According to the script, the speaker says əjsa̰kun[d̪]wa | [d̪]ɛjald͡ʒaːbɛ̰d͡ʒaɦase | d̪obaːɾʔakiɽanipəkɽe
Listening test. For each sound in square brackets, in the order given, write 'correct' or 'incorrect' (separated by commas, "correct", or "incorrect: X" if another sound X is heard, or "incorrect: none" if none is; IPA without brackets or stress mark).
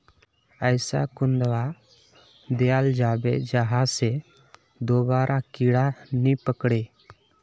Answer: correct, correct